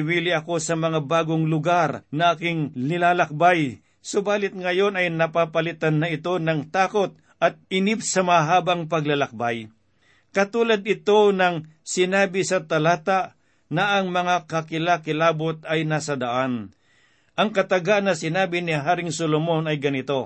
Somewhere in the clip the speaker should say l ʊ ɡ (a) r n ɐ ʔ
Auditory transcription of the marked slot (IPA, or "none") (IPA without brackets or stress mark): a